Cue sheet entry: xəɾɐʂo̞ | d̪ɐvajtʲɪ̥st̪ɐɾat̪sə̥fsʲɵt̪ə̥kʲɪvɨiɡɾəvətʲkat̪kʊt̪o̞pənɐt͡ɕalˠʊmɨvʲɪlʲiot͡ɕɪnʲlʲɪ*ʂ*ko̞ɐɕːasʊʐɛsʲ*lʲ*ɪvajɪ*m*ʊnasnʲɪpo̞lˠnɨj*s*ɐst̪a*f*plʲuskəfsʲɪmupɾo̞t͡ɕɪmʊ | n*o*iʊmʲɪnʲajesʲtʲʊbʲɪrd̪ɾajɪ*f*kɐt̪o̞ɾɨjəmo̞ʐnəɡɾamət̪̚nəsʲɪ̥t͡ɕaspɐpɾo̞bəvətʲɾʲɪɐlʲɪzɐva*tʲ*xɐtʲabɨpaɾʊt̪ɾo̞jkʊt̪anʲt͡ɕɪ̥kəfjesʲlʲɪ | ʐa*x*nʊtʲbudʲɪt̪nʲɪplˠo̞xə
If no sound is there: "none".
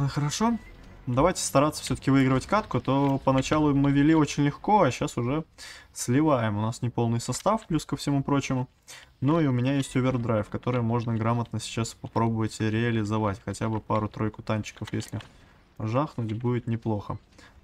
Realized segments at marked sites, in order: x, lʲ, m, s, f, u, f, tʲ, x

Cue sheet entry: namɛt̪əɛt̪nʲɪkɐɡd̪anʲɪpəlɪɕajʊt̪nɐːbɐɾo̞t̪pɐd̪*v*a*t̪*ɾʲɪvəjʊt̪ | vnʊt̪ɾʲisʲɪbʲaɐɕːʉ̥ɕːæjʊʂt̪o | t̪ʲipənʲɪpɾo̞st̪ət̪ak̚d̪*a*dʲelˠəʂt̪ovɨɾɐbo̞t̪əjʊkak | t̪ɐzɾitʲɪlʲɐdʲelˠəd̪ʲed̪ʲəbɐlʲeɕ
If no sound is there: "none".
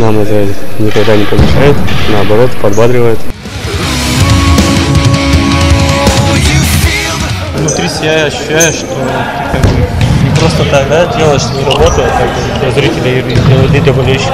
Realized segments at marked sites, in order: b, d̪, a

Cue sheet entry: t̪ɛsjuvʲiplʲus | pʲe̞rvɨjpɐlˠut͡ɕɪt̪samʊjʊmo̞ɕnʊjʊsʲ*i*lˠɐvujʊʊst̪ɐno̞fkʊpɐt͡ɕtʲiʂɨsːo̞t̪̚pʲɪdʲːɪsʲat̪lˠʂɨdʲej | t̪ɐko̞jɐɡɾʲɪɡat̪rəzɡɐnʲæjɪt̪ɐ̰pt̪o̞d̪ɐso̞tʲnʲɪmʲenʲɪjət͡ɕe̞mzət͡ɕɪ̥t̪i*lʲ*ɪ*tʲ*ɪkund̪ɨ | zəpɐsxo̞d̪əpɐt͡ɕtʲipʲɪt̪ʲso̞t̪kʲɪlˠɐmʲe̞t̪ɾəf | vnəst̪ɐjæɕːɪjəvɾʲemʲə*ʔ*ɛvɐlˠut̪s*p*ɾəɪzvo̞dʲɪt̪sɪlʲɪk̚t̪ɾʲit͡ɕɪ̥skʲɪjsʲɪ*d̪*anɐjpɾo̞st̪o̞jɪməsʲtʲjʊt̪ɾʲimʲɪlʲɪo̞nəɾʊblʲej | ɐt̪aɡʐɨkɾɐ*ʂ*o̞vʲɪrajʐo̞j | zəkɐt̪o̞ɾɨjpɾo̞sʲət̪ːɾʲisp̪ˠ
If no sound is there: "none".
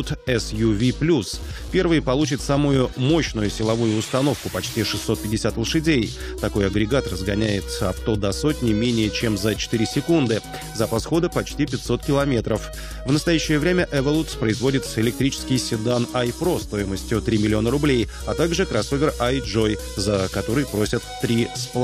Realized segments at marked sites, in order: ɪ, ɾʲ, sʲ, ʔ, p, d̪, s

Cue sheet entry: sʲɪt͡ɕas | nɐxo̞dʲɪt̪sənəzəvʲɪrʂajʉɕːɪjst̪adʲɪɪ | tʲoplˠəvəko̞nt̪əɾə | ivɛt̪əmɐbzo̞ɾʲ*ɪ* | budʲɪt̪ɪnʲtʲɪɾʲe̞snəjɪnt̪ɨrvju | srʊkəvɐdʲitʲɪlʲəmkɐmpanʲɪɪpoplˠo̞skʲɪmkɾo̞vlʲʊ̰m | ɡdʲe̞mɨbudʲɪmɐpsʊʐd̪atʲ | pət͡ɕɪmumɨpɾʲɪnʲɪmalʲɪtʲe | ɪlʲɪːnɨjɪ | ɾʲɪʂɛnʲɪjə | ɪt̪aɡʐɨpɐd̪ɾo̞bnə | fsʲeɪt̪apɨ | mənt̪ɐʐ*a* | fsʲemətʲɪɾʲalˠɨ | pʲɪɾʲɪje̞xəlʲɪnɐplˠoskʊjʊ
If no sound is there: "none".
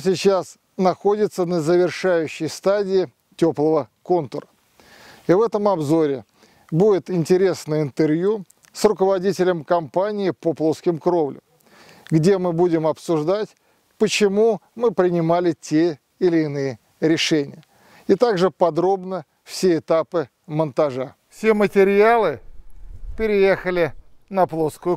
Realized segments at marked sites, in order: ɪ, a

